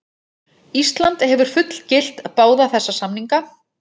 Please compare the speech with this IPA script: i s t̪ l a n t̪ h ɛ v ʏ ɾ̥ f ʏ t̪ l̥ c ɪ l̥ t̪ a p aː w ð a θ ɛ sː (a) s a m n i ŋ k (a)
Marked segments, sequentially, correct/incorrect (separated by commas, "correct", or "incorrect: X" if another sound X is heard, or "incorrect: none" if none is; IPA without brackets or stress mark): correct, correct